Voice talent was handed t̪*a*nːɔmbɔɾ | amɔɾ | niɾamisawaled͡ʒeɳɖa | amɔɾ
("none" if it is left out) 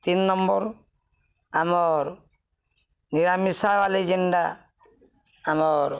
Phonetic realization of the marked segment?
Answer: i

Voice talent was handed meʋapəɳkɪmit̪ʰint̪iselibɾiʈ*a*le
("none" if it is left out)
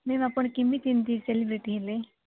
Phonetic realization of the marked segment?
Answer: i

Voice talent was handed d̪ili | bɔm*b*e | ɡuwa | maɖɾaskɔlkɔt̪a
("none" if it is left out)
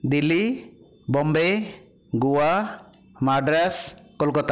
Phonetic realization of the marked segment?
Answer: b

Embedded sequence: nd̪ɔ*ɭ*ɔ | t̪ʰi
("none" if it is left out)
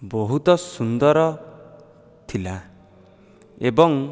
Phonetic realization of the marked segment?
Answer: ɾ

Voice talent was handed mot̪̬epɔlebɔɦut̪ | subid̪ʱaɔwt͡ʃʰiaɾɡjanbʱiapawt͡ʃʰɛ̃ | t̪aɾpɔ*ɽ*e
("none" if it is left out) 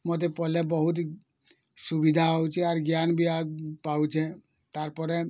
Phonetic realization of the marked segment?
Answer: ɾ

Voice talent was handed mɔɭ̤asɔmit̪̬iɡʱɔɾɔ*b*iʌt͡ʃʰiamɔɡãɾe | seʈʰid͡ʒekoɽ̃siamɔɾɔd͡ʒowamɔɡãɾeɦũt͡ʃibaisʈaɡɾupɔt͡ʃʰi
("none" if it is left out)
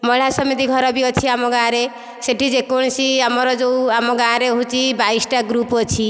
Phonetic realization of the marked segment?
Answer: b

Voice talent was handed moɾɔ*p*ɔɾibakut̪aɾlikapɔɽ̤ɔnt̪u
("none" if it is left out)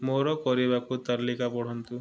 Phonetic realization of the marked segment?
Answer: k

